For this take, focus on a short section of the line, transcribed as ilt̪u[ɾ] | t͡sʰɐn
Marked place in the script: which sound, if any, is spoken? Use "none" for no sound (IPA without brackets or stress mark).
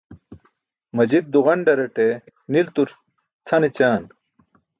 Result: ɾ